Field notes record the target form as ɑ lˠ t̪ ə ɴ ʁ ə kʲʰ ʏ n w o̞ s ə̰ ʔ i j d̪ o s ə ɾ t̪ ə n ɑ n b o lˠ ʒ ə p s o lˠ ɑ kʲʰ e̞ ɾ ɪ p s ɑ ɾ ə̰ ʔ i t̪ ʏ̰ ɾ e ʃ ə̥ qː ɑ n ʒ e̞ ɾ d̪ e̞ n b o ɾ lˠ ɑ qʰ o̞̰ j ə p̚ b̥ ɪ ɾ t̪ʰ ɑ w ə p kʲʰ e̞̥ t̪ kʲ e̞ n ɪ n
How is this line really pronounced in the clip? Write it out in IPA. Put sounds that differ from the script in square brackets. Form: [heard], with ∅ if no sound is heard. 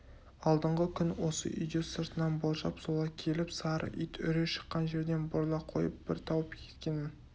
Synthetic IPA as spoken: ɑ lˠ [d̪] ə ɴ ʁ ə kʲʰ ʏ n w o̞ s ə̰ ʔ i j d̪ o s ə ɾ t̪ ə n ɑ n b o lˠ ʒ [ɑ] p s o lˠ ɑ kʲʰ e̞ [l] ɪ p s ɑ ɾ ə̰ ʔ i t̪ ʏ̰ ɾ e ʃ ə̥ qː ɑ n ʒ e̞ ɾ d̪ e̞ n b o ɾ lˠ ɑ qʰ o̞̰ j ə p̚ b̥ ɪ ɾ t̪ʰ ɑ w ə p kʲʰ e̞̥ t̪ kʲ e̞ n ɪ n